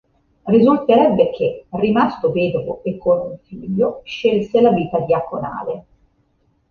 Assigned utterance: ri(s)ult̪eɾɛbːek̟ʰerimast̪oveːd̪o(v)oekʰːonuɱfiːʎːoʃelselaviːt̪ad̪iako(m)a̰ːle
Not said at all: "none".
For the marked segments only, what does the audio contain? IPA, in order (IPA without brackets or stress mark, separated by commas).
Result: z, v, n